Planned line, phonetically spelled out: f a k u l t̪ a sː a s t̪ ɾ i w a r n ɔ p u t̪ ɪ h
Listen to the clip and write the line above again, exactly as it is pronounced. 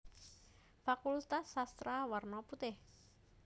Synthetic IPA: f a k u l t̪ a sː a s t̪ ɾ a w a r n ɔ p u t̪ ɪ h